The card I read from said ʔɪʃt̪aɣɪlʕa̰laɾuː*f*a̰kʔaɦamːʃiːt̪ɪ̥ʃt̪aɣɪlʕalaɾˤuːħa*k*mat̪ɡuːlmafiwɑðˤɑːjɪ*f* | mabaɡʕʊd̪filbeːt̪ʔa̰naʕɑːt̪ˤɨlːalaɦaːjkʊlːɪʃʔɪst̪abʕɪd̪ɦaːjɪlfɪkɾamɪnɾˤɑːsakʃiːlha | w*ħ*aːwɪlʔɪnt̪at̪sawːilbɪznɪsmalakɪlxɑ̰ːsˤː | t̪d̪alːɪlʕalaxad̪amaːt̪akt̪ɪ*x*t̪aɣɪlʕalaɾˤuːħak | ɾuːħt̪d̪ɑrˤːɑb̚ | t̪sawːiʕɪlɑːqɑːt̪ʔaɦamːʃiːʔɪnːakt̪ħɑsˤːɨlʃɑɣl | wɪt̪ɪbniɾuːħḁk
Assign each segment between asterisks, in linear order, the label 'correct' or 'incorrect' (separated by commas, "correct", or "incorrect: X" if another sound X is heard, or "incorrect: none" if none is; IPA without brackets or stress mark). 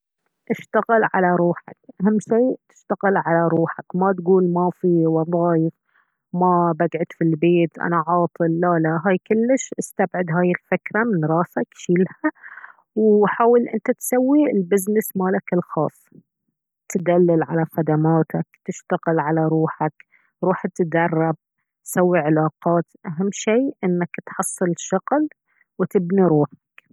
incorrect: ħ, correct, correct, correct, incorrect: ʃ